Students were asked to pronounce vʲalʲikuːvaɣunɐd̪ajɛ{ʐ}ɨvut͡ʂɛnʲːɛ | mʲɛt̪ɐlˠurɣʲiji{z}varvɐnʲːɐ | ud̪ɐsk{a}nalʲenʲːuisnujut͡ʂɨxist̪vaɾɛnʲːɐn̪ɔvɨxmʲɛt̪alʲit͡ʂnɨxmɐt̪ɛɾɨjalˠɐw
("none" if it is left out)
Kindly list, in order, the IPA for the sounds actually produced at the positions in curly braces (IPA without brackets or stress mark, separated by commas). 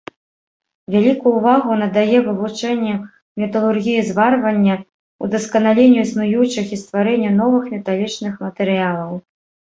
v, z, ɐ